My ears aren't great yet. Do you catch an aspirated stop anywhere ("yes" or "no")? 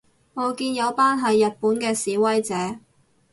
no